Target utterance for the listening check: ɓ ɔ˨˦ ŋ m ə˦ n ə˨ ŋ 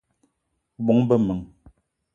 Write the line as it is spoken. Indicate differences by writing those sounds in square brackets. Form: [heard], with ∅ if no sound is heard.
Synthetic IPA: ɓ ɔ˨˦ ŋ [b] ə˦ [m] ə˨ ŋ

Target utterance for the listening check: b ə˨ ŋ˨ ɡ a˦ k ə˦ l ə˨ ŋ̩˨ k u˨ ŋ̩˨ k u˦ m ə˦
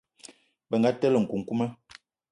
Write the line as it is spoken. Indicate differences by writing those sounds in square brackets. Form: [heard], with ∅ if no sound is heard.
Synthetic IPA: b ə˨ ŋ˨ ɡ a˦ [t] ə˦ l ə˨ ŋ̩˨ k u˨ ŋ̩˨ k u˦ m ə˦

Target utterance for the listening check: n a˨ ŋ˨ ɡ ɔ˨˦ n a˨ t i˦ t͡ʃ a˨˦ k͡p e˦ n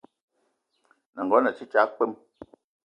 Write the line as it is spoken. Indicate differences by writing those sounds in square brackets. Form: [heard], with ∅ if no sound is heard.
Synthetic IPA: n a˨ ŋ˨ ɡ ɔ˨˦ n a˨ [t͡ʃ] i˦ t͡ʃ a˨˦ k͡p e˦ [m]

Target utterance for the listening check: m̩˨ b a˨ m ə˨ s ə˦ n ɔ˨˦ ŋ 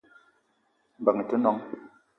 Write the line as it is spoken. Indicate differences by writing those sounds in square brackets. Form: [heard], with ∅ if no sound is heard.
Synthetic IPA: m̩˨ b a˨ [ŋ] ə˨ [t] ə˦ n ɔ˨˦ ŋ

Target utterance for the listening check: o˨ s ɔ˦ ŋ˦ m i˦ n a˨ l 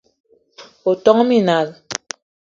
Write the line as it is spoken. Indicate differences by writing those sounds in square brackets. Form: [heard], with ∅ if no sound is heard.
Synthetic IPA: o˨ [t] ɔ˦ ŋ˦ m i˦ n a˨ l

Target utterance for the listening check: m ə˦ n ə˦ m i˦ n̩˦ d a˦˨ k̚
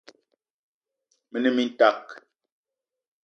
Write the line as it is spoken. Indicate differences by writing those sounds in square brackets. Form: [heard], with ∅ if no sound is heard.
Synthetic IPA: m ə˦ n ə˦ m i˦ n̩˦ [t] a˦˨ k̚

